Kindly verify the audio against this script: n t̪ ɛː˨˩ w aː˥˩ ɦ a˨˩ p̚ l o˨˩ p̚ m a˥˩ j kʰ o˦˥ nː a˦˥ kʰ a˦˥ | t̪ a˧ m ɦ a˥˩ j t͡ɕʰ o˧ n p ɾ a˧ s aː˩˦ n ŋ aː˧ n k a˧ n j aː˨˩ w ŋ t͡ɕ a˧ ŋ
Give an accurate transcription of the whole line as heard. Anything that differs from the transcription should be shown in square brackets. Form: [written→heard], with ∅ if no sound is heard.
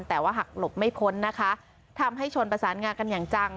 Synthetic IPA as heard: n t̪ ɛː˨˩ w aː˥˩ ɦ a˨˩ [p̚→k̚] l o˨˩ p̚ m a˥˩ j [kʰ→pʰ] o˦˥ nː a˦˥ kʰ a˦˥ | [t̪→t̪ʰ] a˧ m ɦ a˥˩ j t͡ɕʰ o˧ n p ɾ a˧ s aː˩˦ n ŋ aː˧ n k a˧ n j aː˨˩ [w→∅] ŋ t͡ɕ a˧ ŋ